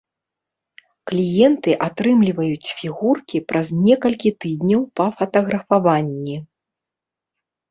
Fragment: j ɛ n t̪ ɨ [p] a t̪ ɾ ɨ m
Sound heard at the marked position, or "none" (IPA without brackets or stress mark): ʔ